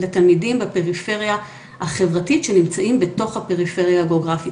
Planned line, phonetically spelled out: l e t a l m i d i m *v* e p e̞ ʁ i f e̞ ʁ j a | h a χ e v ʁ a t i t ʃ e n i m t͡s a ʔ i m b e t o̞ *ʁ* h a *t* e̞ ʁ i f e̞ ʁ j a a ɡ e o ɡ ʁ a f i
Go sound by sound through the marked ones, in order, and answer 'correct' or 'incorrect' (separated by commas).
incorrect, incorrect, incorrect